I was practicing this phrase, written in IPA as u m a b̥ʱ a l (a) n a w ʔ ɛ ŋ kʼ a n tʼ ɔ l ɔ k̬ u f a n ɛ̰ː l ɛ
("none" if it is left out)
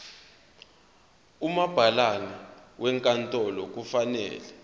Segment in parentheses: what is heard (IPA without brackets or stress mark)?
a